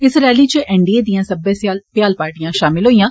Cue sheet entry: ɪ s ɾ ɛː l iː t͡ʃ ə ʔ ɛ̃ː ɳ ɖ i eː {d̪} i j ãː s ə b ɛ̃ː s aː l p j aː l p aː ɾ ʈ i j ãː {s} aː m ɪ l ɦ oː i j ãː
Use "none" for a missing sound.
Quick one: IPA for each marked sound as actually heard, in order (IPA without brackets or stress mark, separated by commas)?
d̪, ʃ